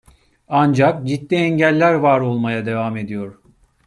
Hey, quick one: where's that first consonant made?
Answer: tongue tip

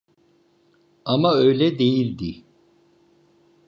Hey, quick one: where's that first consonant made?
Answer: lips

